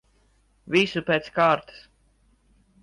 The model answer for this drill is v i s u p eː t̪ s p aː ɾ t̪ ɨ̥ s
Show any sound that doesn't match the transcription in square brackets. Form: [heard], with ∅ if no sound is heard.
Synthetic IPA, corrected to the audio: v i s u p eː t̪ s [k] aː ɾ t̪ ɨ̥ s